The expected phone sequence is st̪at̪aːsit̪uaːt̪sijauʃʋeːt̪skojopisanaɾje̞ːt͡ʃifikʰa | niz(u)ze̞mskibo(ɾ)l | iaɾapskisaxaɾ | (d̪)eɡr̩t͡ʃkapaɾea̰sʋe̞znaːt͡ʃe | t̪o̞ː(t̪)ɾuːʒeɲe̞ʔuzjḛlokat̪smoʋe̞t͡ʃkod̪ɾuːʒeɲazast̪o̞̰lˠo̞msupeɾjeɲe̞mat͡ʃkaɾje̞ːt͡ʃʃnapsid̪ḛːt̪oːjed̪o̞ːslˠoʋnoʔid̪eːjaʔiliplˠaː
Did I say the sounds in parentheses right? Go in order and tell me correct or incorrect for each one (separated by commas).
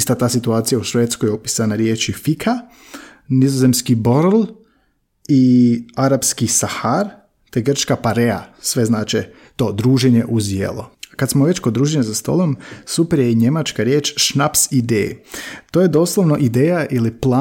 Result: incorrect, correct, incorrect, incorrect